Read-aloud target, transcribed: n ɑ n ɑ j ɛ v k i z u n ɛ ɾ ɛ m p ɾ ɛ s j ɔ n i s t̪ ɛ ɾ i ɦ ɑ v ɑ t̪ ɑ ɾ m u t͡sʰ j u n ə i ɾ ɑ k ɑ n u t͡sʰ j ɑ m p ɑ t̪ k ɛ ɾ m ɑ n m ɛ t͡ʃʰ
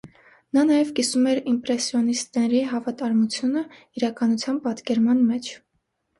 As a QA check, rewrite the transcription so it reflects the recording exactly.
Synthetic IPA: n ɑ n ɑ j ɛ v k i s u m ɛ ɾ i m p ɾ ɛ s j ɔ n i s t̪ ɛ ɾ i ɦ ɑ v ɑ t̪ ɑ ɾ m u t͡sʰ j u n ə i ɾ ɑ k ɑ n u t͡sʰ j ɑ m p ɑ t̪ k ɛ ɾ m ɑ n m ɛ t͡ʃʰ